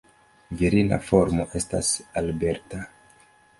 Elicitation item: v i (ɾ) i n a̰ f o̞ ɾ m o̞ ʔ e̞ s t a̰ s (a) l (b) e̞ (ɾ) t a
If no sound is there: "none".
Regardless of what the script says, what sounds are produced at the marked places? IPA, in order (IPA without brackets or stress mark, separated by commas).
ɾ, a, b, ɾ